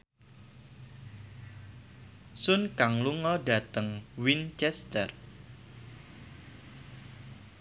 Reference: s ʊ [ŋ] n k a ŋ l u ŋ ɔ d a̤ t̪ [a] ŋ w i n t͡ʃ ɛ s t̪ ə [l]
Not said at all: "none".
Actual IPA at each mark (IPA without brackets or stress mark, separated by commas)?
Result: none, ə, r